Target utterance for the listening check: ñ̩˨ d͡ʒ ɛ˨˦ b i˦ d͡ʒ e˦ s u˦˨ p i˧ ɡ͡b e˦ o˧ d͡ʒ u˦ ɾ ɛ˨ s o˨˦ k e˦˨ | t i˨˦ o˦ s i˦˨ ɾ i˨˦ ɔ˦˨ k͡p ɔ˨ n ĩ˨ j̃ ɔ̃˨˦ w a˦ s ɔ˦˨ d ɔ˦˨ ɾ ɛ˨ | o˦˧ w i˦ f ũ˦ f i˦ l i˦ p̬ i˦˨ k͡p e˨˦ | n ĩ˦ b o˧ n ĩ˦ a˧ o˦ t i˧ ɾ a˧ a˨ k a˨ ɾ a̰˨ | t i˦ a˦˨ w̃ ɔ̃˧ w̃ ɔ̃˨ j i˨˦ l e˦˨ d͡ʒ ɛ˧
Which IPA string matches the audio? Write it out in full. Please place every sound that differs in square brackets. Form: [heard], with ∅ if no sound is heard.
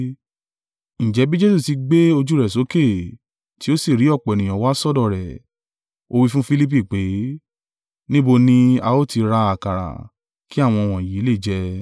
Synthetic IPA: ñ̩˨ d͡ʒ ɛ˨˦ b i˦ d͡ʒ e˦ s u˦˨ [t] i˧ ɡ͡b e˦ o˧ d͡ʒ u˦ ɾ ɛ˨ s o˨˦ k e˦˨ | t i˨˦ o˦ s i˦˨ ɾ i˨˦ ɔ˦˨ k͡p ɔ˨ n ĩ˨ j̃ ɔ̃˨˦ w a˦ s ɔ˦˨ d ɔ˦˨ ɾ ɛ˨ | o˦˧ w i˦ f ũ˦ f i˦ l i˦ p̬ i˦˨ k͡p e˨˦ | n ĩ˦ b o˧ n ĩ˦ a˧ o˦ t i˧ ɾ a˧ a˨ k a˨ ɾ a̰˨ | [k] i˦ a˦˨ w̃ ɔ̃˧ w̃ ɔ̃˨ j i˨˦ l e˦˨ d͡ʒ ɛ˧